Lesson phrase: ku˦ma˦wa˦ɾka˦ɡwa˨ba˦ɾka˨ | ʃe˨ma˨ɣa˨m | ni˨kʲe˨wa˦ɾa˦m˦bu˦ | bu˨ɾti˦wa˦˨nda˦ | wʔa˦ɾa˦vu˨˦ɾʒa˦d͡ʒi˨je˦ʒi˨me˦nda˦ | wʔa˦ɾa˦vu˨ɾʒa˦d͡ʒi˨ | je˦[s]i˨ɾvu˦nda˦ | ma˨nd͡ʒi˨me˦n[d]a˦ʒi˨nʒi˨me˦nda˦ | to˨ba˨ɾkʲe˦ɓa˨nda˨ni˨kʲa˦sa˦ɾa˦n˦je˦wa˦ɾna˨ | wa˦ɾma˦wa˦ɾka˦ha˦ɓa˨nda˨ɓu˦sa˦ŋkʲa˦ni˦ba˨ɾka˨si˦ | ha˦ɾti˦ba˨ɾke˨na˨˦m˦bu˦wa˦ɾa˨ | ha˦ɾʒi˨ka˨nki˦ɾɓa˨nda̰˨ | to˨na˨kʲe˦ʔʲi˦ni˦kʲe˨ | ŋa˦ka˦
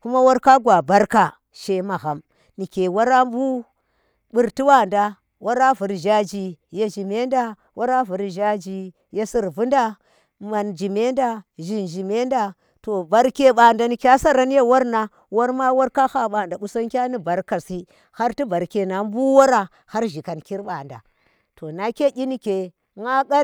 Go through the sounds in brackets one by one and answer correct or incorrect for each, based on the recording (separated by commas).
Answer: correct, correct